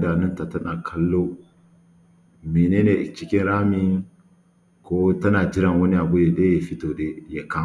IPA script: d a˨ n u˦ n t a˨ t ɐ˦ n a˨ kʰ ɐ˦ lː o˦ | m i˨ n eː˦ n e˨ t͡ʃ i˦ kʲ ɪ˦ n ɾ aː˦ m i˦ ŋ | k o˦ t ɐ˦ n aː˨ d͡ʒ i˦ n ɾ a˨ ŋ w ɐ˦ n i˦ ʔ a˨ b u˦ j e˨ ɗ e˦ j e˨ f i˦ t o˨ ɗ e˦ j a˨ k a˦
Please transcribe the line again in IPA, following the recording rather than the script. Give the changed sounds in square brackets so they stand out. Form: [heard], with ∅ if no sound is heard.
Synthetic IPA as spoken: d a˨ n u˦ n t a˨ t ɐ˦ n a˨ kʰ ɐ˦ lː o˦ | m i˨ n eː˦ n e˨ t͡ʃ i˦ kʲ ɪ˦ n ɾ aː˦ m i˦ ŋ | k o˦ t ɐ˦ n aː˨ d͡ʒ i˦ [∅] ɾ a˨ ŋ w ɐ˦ n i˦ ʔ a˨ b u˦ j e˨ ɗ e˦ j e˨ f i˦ t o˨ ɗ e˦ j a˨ k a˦